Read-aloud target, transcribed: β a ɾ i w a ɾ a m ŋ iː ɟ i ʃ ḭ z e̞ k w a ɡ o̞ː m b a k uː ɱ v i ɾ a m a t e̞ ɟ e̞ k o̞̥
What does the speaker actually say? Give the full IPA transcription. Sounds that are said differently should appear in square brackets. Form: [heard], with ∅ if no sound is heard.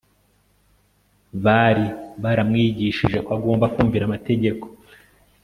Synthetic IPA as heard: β a ɾ i [β] a ɾ a m ŋ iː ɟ i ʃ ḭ [ʒ] e̞ k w a ɡ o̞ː m b a k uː ɱ v i ɾ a m a t e̞ ɟ e̞ k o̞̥